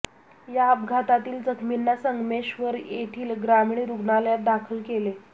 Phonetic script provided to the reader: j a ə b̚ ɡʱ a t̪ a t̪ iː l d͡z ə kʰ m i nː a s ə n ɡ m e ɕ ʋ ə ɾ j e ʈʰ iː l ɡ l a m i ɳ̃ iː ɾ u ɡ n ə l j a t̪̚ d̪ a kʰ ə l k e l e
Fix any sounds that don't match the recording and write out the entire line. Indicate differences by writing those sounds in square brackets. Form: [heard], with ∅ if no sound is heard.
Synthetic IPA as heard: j a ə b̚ ɡʱ a t̪ a t̪ iː l d͡z ə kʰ m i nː a s ə [ŋ] ɡ m e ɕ ʋ ə ɾ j e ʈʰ iː l ɡ [ɾ] a m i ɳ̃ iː ɾ u ɡ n [a] l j a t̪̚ d̪ a kʰ ə l k e l e